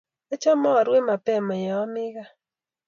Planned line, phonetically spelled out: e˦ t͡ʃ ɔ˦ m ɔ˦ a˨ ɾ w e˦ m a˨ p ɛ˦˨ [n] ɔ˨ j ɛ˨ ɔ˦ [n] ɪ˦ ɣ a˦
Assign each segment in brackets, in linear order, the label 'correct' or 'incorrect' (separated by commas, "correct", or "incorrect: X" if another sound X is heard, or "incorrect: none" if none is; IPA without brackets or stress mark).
incorrect: m, incorrect: m